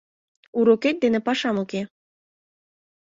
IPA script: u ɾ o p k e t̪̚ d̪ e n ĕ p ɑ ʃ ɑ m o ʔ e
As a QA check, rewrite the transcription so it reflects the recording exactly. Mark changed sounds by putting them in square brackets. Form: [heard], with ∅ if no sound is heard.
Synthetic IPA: u ɾ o [∅] k e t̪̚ d̪ e n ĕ p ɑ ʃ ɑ m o [k] e